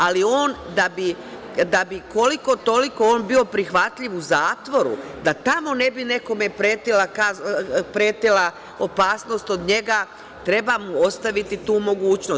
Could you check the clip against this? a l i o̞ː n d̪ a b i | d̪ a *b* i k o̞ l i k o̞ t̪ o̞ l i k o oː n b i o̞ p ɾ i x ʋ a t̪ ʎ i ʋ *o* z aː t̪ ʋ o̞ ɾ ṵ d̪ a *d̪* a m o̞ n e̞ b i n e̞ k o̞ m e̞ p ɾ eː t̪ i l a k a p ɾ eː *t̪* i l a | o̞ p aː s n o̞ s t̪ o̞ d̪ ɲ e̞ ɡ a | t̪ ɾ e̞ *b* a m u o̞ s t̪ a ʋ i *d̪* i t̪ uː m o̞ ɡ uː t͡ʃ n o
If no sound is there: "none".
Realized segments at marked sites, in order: b, u, t̪, t̪, b, t̪

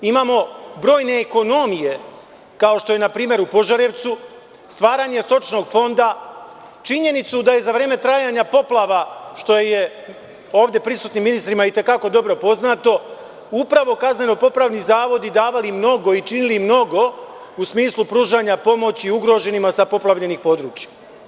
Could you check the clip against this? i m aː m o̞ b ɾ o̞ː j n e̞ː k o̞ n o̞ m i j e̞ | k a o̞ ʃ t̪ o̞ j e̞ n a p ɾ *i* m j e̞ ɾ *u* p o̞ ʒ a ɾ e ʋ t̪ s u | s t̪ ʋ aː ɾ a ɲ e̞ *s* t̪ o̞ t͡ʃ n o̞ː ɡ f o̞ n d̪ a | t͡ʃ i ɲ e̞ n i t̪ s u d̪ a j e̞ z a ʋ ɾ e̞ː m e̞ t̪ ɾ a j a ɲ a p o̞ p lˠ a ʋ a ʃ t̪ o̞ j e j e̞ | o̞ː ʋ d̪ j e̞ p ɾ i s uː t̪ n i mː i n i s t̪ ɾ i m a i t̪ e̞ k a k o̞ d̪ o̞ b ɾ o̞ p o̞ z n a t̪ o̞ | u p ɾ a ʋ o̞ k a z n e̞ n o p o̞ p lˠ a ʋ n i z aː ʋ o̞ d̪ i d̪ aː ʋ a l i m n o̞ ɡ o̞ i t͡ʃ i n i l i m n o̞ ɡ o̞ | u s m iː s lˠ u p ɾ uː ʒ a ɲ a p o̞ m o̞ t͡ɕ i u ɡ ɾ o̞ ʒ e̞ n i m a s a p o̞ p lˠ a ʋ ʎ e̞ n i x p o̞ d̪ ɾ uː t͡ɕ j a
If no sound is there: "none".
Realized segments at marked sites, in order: iː, u, s

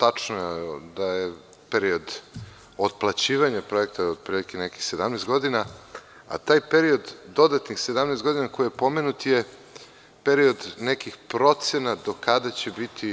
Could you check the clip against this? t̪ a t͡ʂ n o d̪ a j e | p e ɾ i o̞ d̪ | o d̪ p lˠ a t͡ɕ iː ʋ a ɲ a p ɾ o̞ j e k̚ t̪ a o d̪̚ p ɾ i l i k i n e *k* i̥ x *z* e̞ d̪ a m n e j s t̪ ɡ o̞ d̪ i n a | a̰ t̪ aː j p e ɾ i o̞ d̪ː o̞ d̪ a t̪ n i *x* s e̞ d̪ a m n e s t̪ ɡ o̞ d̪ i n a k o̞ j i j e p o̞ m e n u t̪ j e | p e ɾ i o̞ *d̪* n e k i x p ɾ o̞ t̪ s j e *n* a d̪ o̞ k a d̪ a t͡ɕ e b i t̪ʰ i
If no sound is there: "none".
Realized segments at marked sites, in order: k, s, x, d̪, n

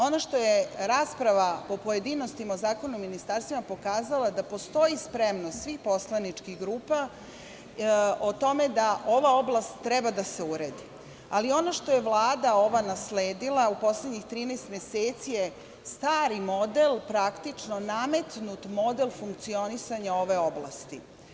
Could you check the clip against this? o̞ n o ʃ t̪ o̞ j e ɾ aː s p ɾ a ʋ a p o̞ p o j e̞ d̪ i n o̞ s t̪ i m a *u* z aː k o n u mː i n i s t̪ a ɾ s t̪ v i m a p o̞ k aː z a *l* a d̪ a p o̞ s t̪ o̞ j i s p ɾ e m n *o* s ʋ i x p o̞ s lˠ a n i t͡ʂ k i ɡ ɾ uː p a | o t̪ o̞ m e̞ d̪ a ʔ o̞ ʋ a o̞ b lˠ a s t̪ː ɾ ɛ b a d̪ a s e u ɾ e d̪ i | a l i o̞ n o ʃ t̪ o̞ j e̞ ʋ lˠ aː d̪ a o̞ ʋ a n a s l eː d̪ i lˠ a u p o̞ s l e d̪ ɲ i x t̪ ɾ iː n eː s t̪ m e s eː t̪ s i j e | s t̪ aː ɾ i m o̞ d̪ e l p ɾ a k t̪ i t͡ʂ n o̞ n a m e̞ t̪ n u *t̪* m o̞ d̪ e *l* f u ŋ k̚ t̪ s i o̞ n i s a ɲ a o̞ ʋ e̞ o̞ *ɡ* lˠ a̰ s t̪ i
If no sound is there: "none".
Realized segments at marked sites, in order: o, l, o, t̪, l, b

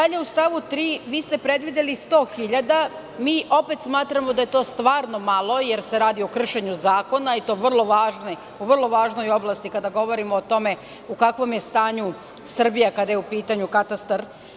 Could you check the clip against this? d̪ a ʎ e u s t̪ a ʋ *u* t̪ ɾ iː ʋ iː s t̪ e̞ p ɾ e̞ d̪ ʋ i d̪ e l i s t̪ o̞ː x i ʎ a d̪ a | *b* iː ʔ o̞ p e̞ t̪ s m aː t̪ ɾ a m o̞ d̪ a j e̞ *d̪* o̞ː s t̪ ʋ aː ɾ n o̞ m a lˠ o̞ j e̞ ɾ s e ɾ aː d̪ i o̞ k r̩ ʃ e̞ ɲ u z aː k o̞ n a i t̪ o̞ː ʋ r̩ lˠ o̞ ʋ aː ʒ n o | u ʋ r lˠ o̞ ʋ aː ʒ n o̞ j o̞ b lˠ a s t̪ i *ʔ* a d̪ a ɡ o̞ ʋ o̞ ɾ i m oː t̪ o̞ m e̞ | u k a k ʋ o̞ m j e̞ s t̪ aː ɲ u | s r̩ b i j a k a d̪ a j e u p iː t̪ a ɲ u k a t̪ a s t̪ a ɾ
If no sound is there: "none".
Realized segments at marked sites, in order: u, m, t̪, k

